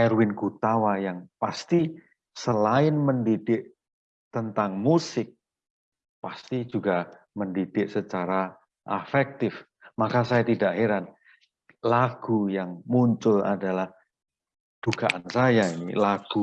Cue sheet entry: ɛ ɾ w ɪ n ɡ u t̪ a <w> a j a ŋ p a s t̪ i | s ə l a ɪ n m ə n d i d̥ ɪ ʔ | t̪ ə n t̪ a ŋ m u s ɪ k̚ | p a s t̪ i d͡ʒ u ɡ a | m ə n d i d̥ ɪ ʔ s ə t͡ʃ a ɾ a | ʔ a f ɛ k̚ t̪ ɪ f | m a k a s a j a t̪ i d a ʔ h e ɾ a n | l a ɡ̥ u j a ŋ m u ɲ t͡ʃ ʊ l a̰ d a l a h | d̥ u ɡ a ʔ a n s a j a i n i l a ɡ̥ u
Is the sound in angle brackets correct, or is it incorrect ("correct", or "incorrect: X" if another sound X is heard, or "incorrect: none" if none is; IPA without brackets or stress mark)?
correct